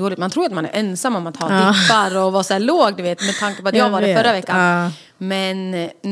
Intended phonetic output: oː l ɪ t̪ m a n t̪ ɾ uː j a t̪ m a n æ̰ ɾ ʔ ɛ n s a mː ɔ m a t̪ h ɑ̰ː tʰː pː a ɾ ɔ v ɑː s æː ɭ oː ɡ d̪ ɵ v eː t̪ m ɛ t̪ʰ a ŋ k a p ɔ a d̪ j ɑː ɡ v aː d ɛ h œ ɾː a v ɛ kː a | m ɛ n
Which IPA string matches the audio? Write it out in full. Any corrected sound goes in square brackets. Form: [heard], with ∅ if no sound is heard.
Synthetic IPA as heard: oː l ɪ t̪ m a n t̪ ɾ uː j a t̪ m a n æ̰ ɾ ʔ ɛ n s a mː ɔ m a t̪ h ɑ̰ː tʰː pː a ɾ ɔ v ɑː s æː ɭ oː ɡ d̪ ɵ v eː t̪ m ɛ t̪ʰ a ŋ k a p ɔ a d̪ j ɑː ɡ v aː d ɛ [f] œ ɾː a v ɛ kː a | m ɛ n